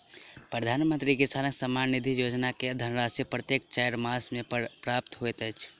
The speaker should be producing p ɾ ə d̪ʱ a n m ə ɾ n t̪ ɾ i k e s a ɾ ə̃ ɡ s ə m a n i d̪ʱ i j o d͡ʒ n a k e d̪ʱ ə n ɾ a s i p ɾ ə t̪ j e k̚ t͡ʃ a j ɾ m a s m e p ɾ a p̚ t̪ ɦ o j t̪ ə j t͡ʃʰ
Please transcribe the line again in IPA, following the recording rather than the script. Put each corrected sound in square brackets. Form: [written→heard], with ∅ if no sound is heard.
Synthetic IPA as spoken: p ɾ ə d̪ʱ a n m ə [ɾ→∅] n t̪ ɾ i k e s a ɾ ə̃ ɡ s ə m a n i d̪ʱ i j o d͡ʒ n a k e d̪ʱ ə n ɾ a s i p ɾ ə t̪ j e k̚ t͡ʃ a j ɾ m a s m e p ɾ a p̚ t̪ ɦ o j t̪ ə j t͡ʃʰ